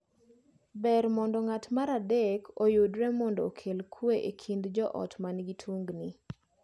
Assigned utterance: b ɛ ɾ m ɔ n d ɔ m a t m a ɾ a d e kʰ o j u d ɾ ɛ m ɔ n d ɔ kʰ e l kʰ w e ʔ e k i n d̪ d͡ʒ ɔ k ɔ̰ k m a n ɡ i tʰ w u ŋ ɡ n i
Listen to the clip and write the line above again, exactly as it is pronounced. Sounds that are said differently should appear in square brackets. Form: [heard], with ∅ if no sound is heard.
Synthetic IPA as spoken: b ɛ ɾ m ɔ n d ɔ [ŋ] a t m a ɾ a d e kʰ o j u d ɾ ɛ m ɔ n d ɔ kʰ e l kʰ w e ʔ e [kʰ] i n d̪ d͡ʒ ɔ [ʔ] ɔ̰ [t] m a n ɡ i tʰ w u ŋ ɡ n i